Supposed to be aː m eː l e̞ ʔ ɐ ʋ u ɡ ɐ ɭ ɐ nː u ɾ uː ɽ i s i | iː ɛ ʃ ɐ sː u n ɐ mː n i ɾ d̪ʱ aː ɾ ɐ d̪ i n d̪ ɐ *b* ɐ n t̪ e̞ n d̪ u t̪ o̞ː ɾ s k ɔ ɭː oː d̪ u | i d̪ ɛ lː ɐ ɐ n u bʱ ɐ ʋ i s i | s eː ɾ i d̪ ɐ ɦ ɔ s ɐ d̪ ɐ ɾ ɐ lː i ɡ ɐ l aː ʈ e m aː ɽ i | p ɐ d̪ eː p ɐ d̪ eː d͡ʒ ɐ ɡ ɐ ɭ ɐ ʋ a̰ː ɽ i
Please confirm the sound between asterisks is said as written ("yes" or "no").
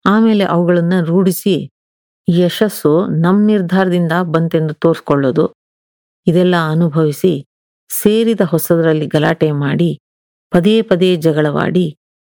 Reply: yes